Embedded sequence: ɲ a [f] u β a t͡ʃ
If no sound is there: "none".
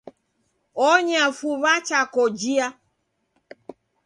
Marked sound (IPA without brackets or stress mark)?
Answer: f